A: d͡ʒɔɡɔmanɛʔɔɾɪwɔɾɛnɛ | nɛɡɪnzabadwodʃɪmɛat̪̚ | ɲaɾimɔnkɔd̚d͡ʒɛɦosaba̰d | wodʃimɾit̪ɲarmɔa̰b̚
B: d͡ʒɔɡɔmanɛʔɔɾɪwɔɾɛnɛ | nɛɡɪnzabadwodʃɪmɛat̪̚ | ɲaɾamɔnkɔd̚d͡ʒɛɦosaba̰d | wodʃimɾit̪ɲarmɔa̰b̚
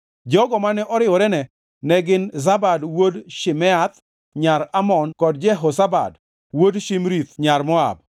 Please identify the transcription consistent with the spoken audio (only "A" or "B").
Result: B